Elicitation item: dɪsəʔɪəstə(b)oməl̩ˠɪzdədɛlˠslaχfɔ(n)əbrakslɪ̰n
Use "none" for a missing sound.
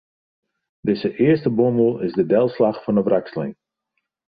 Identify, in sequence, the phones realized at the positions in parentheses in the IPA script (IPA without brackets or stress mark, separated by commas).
b, n